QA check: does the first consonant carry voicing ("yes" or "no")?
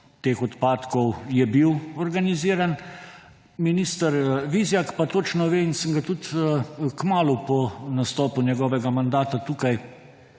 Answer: no